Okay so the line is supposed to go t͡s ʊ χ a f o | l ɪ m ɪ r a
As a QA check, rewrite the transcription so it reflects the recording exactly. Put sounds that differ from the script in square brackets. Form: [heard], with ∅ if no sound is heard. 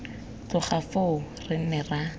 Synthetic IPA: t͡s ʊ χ a f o | [r] ɪ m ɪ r a